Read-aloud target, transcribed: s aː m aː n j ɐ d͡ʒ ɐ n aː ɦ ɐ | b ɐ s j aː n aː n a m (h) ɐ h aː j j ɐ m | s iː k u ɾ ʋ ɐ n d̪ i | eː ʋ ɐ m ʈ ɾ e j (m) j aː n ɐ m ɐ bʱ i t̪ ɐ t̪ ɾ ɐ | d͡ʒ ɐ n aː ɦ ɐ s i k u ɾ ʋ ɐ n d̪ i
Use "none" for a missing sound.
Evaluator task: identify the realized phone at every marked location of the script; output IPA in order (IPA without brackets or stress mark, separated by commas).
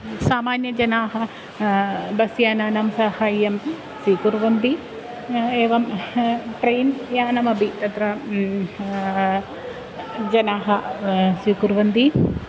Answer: s, n